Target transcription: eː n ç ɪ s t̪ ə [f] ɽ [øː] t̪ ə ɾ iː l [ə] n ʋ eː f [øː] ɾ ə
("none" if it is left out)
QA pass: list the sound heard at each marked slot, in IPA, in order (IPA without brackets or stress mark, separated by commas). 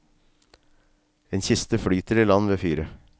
f, yː, ɑ, yː